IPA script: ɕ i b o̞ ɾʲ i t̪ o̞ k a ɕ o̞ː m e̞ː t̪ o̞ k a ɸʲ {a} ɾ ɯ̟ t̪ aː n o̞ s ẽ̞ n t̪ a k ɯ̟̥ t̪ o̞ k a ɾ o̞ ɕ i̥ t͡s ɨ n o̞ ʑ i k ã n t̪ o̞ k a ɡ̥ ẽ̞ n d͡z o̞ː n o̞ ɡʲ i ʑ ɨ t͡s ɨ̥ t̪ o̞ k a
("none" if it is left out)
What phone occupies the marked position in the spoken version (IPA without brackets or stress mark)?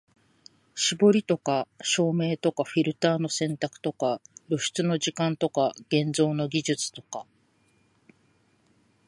i